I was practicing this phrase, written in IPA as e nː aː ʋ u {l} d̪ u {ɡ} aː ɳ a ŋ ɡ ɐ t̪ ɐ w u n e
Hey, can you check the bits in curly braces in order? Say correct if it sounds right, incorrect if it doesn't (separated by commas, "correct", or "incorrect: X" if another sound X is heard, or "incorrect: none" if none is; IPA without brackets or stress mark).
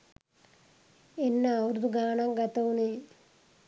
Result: incorrect: ɾ, correct